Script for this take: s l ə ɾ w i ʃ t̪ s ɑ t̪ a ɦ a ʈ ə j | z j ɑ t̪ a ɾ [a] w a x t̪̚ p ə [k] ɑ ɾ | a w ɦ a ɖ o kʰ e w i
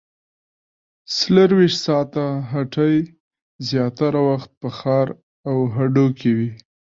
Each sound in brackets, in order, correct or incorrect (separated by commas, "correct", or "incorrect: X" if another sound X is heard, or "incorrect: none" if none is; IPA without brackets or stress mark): correct, incorrect: x